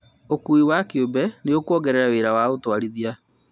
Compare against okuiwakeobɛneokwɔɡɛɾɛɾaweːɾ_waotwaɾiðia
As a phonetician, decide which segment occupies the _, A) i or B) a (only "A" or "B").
B